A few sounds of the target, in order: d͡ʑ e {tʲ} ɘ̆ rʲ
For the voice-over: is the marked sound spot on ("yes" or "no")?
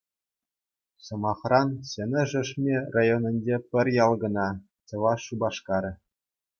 no